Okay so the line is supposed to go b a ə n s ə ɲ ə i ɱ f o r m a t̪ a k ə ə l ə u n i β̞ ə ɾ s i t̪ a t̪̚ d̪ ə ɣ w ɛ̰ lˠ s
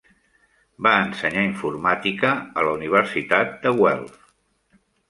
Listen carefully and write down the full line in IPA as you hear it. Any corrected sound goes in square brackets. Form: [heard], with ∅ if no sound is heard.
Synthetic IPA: b a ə n s ə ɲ [a] i ɱ f [u] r m a t̪ [i] k ə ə l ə u n i β̞ ə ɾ s i t̪ a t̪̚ d̪ ə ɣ w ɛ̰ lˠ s